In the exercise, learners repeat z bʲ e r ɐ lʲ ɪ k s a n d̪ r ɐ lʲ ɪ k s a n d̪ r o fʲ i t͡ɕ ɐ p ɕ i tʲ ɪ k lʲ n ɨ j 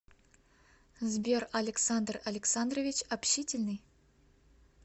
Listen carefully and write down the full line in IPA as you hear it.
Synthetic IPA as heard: z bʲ e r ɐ lʲ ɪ k s a n d̪ r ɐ lʲ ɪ k s a n d̪ r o vʲ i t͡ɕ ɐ p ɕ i tʲ ɪ lʲ n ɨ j